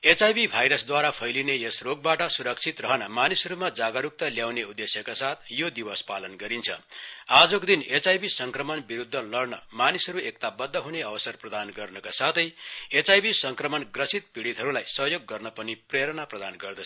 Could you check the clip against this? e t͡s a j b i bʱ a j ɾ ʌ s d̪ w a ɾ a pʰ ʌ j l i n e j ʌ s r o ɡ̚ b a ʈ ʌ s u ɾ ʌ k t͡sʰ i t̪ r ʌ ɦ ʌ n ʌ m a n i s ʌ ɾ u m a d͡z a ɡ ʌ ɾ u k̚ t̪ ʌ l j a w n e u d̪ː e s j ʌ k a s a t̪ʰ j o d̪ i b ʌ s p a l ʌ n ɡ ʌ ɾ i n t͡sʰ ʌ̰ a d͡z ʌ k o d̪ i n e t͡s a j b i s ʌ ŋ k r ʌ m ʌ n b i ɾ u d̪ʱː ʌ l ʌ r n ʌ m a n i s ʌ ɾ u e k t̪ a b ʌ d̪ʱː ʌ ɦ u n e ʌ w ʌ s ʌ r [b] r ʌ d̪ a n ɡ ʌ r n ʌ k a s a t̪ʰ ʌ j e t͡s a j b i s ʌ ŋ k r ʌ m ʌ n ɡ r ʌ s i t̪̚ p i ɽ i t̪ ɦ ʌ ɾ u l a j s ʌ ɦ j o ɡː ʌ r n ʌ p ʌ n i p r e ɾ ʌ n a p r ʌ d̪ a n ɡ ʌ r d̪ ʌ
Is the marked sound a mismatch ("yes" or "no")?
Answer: yes